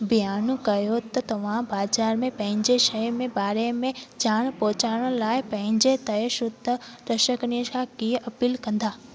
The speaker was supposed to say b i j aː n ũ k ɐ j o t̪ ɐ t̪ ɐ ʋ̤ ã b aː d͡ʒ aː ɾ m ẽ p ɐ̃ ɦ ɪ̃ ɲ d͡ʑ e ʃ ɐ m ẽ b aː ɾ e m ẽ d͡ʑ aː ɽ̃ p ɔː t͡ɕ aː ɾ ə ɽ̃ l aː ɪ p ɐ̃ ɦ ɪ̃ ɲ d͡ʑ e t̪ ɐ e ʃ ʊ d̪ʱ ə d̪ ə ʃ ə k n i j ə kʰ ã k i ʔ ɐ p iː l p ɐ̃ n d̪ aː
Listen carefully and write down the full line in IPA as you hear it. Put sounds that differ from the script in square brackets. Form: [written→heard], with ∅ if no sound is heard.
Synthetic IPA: b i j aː n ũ k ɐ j o t̪ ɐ t̪ ɐ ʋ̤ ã b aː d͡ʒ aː ɾ m ẽ p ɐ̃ ɦ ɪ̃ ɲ d͡ʑ e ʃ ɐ m ẽ b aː ɾ e m ẽ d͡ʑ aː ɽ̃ p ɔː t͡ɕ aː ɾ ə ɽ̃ l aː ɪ p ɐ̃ ɦ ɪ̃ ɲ d͡ʑ e t̪ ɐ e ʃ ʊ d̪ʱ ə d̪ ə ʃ ə k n i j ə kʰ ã k i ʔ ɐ p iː l [p→k] ɐ̃ n d̪ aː